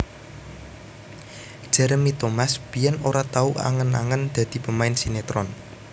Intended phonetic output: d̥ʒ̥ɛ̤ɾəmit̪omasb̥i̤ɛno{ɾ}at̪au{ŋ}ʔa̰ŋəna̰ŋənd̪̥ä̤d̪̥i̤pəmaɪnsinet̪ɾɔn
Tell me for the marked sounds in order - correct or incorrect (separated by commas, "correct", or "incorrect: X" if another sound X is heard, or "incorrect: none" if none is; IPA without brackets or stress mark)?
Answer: correct, incorrect: none